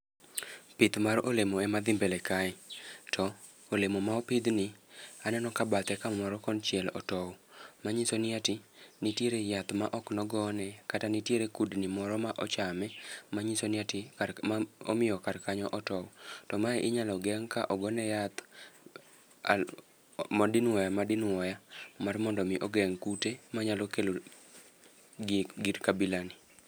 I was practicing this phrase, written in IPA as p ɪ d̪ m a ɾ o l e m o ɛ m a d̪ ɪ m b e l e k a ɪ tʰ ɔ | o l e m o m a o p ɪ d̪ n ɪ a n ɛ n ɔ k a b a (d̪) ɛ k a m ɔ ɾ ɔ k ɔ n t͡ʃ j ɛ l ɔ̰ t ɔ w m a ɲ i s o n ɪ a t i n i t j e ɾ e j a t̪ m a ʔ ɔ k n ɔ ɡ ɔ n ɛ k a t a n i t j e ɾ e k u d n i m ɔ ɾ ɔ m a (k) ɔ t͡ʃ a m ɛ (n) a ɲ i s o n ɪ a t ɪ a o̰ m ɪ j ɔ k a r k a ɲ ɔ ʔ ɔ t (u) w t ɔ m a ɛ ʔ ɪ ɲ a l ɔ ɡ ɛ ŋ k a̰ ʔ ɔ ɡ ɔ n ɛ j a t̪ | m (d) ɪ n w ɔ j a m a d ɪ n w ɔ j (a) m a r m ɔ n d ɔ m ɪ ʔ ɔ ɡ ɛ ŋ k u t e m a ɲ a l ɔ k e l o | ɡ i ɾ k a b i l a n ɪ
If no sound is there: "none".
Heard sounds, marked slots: t̪, ʔ, m, ɔ, d, a

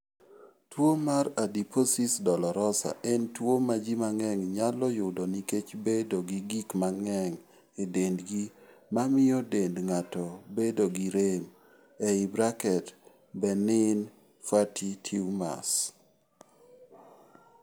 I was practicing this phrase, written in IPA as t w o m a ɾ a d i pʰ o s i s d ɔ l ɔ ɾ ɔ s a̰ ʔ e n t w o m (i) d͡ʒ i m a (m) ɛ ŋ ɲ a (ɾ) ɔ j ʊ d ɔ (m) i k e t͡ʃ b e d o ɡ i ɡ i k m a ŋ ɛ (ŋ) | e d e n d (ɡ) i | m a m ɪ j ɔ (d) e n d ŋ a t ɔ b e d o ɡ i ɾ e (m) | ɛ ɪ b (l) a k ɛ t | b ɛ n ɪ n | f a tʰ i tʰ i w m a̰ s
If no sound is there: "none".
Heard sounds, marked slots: a, ŋ, l, n, ŋ, ɡ, d, m, ɾ

